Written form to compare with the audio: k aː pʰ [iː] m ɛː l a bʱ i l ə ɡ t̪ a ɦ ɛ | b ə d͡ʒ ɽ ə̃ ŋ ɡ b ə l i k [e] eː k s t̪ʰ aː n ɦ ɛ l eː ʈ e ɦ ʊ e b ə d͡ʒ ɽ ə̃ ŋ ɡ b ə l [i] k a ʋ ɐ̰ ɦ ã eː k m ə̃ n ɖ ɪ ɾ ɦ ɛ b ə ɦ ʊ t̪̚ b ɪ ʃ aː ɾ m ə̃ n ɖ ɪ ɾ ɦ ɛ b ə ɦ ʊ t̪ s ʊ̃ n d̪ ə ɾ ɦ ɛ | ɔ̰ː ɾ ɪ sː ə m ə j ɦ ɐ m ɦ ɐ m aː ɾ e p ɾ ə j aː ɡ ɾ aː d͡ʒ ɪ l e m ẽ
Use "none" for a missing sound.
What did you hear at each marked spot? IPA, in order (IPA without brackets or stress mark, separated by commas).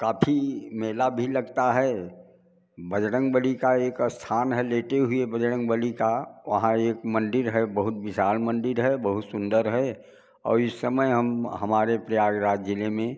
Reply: i, a, i